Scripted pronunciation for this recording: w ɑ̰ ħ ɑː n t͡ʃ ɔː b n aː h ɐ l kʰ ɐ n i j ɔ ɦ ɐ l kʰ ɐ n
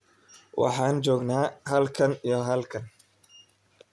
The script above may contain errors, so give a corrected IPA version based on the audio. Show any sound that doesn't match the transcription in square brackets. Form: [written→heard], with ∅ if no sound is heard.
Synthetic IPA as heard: w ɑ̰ ħ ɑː n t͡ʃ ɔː [b→ɡ] n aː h ɐ l kʰ ɐ n i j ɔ ɦ ɐ l kʰ ɐ n